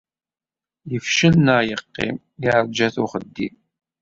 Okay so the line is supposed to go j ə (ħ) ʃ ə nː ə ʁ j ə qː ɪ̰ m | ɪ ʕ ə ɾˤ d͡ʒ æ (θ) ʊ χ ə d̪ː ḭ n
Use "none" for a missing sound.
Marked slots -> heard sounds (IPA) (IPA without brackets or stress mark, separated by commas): f, θ